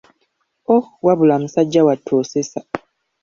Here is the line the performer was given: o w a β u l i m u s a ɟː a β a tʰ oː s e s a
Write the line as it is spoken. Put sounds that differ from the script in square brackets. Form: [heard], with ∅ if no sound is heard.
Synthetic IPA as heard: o w a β u l [a] m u s a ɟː a [w] a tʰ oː s e s a